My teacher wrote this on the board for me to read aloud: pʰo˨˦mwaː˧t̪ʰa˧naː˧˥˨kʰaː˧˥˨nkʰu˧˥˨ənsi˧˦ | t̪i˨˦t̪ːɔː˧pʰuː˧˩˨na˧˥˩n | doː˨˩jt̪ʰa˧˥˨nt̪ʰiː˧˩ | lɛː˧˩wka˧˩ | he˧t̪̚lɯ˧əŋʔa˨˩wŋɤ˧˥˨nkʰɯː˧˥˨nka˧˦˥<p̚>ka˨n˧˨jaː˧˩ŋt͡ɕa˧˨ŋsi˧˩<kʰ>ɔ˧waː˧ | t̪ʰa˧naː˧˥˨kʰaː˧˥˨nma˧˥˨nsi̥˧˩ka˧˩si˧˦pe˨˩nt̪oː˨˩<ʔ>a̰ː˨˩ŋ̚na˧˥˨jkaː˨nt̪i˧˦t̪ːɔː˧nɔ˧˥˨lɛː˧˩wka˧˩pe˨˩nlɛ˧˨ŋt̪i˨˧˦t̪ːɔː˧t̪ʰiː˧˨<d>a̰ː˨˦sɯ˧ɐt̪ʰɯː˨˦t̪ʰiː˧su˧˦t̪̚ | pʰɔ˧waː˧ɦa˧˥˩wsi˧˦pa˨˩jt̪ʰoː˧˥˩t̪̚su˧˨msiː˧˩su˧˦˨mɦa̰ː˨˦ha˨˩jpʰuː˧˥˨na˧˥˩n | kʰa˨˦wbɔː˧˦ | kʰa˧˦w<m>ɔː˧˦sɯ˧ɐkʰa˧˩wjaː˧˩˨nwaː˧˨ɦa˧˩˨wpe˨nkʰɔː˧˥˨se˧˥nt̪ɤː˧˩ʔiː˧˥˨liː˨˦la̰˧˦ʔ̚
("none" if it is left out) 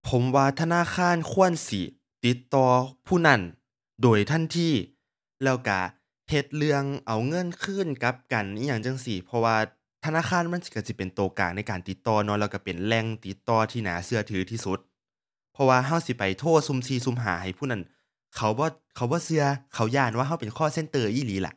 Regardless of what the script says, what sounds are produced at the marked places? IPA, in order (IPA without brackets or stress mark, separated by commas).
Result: p̚, pʰ, k, n, b